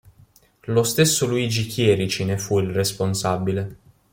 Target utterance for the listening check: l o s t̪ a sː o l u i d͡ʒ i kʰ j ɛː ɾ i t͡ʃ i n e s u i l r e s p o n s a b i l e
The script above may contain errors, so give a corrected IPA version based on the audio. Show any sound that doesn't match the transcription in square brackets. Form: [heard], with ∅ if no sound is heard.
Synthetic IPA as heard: l o s t̪ [e] sː o l u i d͡ʒ i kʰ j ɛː ɾ i t͡ʃ i n e [f] u i l r e s p o n s a b i l e